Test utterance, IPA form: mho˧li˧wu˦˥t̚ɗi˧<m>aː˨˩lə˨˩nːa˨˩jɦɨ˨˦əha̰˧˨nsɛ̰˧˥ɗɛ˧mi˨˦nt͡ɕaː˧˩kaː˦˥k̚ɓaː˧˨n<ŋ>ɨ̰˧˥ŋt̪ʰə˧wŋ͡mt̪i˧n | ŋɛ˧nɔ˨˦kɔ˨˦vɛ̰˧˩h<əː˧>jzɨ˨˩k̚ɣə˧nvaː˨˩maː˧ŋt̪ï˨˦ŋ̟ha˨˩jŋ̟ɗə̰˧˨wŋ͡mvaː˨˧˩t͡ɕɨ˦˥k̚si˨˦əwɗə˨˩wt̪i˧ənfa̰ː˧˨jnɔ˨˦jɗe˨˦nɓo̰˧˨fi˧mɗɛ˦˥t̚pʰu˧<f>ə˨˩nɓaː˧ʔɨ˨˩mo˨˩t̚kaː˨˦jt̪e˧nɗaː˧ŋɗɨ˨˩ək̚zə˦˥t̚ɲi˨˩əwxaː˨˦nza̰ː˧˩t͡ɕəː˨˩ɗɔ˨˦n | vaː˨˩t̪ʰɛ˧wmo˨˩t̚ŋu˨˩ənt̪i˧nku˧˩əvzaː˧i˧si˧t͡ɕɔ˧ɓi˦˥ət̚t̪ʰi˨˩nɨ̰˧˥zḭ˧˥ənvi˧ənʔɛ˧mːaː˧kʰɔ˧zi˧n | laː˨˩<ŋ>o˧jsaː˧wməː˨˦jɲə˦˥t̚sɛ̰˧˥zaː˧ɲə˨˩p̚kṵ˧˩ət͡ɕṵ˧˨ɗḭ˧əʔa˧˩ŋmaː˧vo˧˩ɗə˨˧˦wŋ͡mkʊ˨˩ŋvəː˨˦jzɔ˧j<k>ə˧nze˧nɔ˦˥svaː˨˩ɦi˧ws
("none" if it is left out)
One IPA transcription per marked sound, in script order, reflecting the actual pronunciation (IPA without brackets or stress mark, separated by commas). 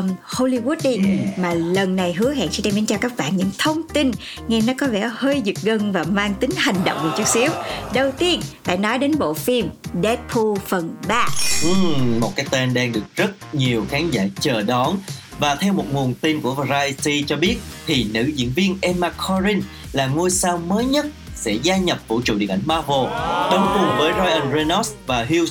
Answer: m, ɲ, əː˧, f, ŋ, ʔ